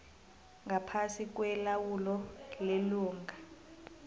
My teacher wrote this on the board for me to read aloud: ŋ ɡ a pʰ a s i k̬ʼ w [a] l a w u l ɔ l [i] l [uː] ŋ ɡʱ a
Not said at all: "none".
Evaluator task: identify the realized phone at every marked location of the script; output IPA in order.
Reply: ɛ, e, uː

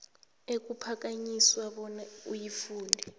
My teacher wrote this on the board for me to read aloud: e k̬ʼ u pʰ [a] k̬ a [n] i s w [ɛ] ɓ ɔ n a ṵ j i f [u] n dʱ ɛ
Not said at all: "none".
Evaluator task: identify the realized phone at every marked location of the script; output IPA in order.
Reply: a, ɲ, a, uː

